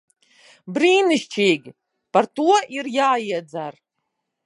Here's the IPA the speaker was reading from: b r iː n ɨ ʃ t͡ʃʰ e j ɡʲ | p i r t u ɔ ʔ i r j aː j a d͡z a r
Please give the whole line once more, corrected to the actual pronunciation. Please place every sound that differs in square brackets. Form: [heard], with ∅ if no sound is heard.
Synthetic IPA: b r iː n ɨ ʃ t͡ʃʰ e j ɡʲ | p [a] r t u ɔ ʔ i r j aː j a d͡z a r